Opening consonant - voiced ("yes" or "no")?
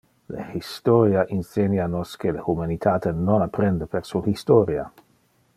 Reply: yes